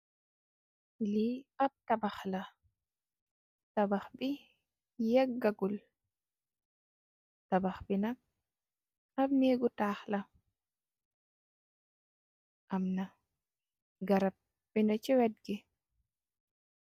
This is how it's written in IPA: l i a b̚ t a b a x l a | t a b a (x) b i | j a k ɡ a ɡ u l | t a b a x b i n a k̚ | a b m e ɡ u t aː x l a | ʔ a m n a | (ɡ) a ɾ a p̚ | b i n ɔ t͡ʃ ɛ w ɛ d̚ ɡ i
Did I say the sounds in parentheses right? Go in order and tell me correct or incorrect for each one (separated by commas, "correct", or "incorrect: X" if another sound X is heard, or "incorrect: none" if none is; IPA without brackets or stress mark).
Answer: correct, correct